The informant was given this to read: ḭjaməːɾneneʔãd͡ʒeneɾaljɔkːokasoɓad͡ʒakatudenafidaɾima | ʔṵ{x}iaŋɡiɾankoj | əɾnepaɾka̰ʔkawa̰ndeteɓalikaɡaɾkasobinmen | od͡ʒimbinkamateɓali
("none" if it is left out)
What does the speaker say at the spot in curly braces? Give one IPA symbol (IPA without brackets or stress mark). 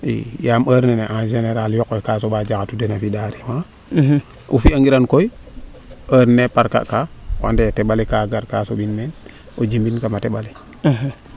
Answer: f